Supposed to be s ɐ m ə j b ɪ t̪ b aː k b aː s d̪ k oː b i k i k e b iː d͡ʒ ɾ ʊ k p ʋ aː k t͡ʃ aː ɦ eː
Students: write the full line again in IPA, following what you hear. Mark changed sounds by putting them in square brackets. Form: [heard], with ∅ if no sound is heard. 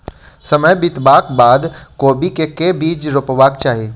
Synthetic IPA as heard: s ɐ m ə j b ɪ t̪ b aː k b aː [∅] d̪ k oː b i k [e] k e b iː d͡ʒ ɾ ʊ [∅] p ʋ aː k t͡ʃ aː ɦ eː